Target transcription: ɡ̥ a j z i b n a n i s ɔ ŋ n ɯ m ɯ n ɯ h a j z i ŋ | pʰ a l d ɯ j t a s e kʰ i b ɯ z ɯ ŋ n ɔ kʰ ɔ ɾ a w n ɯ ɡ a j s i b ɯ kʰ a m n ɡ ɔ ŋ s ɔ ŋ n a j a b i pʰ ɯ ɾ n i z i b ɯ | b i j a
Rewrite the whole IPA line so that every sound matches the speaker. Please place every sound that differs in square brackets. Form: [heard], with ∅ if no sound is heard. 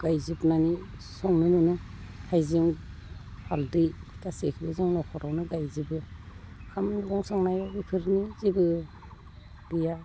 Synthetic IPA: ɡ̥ a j z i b n a n i s ɔ ŋ n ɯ m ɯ n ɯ h a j z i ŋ | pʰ a l d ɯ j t a s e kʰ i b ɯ z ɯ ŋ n ɔ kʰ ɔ ɾ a w n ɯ ɡ a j [z] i b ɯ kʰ a m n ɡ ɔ ŋ s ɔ ŋ n a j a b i pʰ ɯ ɾ n i z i b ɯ | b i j a